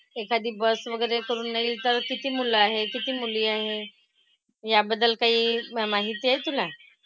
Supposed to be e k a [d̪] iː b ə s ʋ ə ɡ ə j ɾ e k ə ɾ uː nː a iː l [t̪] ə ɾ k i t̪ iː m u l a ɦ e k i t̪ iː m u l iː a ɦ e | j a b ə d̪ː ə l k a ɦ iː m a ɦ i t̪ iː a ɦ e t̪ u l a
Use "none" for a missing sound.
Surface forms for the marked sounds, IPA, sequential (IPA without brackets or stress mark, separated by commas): d̪, t̪